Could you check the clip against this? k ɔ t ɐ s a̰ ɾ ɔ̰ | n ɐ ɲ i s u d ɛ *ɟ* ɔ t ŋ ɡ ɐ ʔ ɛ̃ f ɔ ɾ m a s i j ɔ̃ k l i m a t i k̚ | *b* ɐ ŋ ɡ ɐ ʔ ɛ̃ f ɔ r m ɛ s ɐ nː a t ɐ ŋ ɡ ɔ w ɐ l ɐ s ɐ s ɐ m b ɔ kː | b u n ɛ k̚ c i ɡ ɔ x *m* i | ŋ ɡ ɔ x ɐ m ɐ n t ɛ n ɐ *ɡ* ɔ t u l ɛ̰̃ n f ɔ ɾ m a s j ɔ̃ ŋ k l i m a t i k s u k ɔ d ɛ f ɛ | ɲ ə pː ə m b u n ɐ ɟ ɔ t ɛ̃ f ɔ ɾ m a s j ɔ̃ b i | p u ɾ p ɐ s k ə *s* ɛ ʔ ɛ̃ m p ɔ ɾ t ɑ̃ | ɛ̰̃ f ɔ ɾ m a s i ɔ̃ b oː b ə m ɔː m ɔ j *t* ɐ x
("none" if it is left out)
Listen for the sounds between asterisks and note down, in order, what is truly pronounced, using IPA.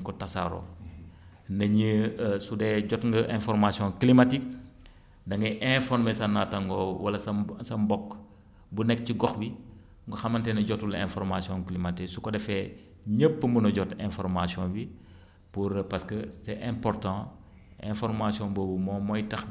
ɟ, d, b, ɟ, s, t

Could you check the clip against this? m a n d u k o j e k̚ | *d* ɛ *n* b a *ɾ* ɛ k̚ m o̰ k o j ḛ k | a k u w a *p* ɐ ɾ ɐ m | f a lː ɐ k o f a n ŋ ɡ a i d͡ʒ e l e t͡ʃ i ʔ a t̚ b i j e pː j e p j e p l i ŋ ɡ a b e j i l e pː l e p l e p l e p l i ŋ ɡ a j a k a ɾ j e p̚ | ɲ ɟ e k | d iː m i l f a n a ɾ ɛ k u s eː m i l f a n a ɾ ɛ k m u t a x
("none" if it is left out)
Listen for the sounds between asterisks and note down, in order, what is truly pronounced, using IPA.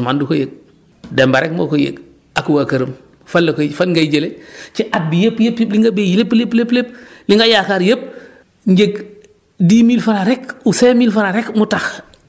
d, m, ɾ, k

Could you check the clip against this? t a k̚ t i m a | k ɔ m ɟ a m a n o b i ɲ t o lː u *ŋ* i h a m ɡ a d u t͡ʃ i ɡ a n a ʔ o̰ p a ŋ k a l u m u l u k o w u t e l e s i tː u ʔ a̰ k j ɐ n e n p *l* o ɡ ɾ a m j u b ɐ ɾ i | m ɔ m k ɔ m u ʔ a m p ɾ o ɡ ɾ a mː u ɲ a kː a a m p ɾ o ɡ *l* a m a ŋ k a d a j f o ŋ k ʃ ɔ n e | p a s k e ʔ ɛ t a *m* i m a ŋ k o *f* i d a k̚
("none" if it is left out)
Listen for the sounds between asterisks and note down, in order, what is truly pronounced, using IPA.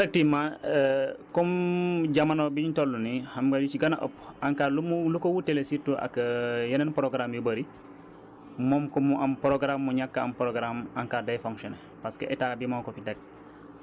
n, ɾ, ɾ, b, f

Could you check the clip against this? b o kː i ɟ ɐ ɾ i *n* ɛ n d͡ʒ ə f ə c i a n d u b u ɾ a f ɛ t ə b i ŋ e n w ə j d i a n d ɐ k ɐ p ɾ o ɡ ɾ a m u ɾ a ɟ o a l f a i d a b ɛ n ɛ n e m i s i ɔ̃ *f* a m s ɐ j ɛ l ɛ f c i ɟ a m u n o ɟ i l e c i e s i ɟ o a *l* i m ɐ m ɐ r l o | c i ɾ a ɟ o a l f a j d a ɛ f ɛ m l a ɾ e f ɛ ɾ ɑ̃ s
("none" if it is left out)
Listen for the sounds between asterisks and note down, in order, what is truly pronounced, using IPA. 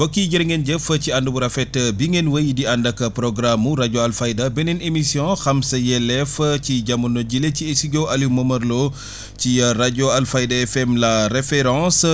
ŋ, x, l

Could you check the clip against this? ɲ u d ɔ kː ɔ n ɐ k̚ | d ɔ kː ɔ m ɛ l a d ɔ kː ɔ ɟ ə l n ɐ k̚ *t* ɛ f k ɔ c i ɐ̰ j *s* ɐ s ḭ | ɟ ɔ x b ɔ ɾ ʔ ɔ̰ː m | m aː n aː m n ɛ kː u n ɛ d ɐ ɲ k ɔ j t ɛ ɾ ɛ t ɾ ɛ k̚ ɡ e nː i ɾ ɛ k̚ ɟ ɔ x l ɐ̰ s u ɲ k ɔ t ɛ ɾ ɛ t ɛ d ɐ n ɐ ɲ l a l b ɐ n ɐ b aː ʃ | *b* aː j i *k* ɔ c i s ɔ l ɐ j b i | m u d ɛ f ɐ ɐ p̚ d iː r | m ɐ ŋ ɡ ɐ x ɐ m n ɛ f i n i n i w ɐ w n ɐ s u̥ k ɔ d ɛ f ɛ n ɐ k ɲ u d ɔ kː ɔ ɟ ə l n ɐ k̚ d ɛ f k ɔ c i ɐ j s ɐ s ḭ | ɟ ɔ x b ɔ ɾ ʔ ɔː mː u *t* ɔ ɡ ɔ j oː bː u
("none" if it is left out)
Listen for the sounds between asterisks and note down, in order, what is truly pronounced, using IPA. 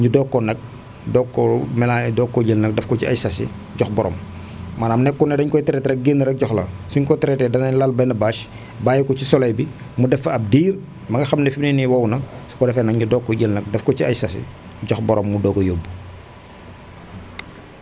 d, s, b, k, d

